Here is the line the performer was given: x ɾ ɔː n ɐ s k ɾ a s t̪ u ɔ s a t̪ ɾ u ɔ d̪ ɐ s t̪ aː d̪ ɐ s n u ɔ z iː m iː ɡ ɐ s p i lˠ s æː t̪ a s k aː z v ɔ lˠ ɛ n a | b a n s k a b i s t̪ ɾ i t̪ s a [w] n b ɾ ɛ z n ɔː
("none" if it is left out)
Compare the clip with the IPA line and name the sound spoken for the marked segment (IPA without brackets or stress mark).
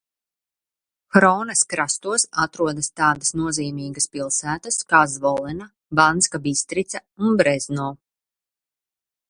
u